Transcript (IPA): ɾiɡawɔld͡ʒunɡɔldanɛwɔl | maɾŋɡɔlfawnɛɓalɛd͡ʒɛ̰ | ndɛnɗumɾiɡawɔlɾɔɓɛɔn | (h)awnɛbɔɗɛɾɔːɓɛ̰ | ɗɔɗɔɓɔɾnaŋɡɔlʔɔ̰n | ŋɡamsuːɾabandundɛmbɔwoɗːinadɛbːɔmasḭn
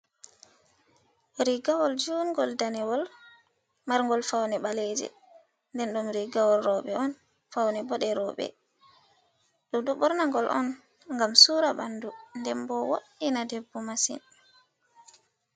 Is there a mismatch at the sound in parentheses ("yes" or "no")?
yes